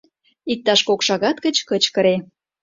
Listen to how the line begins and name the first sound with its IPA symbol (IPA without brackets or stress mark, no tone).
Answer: i